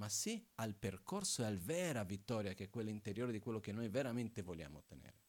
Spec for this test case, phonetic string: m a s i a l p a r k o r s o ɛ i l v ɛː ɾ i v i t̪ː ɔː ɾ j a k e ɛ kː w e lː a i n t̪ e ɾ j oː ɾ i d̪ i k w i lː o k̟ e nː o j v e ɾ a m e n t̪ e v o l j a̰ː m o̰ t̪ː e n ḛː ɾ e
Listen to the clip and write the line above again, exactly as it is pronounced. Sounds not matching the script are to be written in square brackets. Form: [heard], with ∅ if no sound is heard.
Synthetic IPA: m a s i a l p [e] r k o r s o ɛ [a] l v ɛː ɾ [a] v i t̪ː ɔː ɾ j a k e ɛ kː w e lː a i n t̪ e ɾ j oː ɾ [e] d̪ i k w [e] lː o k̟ e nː o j v e ɾ a m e n t̪ e v o l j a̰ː m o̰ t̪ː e n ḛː ɾ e